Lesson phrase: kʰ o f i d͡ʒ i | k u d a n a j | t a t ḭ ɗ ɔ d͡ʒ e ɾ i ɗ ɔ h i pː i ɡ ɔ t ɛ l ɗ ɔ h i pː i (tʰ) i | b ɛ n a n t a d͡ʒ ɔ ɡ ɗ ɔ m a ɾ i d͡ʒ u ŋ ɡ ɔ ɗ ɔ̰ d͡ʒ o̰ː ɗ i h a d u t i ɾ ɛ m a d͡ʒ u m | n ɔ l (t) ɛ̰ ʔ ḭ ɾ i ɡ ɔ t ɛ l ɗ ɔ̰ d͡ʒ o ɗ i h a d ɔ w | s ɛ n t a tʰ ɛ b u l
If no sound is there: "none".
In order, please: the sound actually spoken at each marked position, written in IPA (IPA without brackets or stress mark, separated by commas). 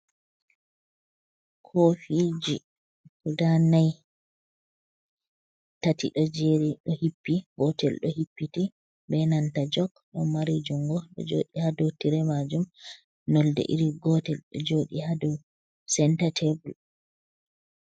t, d